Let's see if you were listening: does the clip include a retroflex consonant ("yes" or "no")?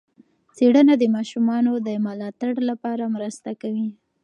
yes